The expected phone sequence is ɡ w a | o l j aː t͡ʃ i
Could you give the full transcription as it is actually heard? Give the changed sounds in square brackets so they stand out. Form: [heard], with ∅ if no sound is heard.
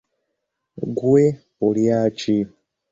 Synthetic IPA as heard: ɡ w [e] | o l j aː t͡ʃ i